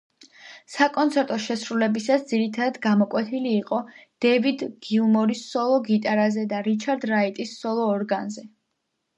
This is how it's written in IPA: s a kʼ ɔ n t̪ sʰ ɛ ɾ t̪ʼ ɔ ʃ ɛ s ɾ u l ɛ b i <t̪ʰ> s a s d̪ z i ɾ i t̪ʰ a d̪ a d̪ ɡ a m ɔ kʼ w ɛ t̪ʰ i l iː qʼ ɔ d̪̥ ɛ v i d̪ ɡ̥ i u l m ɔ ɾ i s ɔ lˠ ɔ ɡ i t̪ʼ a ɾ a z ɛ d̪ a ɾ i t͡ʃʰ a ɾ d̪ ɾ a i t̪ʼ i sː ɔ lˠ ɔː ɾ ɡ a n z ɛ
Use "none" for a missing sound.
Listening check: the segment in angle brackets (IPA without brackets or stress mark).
none